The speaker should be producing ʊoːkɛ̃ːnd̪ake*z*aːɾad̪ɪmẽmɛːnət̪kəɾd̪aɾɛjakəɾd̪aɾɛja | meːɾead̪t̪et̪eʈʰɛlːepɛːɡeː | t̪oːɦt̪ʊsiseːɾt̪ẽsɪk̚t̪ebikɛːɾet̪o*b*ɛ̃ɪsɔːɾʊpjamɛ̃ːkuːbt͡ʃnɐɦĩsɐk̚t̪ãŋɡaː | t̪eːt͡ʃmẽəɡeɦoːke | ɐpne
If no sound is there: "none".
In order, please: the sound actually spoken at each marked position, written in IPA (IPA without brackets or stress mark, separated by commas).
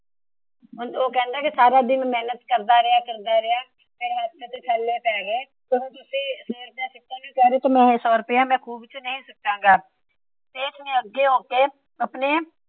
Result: s, m